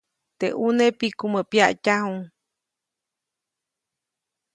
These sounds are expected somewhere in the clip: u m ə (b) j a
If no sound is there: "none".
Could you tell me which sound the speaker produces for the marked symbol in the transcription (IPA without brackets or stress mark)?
p